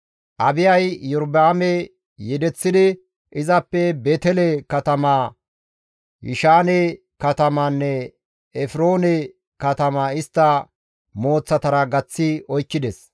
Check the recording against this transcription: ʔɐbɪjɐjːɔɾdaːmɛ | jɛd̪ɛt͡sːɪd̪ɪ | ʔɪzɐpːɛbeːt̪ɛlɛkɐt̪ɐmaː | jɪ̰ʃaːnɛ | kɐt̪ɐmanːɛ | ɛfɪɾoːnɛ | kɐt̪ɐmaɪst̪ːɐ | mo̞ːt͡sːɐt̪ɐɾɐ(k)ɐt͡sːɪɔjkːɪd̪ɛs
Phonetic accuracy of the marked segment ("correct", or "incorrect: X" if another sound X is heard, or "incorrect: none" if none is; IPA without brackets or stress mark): incorrect: ɡ